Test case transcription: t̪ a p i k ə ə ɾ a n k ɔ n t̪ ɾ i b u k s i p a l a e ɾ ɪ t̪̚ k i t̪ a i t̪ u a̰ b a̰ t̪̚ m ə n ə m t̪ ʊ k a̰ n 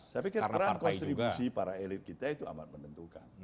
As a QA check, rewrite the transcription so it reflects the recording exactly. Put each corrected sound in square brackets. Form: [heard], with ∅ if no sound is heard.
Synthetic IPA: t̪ a p i k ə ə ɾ a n k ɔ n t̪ ɾ i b u [∅] s i p a [ɾ] a e [l] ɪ t̪̚ k i t̪ a i t̪ u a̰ [m] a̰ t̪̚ m ə n ə [n] t̪ [u] k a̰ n